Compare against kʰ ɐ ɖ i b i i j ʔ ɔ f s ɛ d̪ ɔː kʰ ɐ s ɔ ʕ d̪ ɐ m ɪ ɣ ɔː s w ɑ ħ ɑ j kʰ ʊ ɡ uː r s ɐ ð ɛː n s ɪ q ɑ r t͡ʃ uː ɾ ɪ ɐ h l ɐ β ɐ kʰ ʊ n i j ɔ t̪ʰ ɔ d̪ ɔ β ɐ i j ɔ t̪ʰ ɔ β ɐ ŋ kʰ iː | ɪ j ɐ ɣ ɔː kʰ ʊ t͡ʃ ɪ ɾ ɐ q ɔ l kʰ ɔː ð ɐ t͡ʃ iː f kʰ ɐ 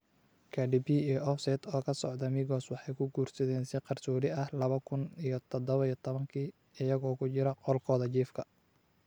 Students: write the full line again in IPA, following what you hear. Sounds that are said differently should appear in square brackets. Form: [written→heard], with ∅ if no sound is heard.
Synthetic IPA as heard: kʰ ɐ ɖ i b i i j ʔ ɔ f s ɛ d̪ ɔː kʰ ɐ s ɔ ʕ d̪ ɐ m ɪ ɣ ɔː s w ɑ ħ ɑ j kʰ ʊ ɡ uː r s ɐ ð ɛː n s ɪ q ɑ r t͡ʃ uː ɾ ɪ ɐ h l ɐ β ɐ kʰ ʊ n i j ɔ t̪ʰ ɔ d̪ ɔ β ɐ i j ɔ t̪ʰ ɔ β ɐ ŋ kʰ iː | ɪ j ɐ ɣ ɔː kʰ ʊ t͡ʃ ɪ ɾ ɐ q ɔ l kʰ ɔː ð ɐ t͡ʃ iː f kʰ ɐ